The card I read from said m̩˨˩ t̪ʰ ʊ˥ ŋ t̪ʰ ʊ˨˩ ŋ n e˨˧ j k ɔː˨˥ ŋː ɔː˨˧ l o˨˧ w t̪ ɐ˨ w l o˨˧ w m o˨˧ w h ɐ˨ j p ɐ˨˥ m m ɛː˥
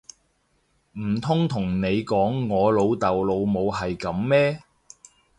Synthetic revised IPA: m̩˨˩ t̪ʰ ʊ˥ ŋ t̪ʰ ʊ˨˩ ŋ n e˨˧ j k ɔː˨˥ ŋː ɔː˨˧ l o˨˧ w t̪ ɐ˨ w l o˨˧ w m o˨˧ w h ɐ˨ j k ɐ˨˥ m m ɛː˥